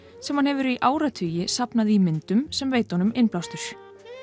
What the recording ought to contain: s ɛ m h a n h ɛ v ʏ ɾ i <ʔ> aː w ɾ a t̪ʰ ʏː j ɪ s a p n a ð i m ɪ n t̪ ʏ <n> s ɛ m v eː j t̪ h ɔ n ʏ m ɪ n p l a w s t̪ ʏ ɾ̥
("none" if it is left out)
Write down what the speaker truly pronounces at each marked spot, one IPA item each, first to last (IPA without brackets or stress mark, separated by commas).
ʔ, m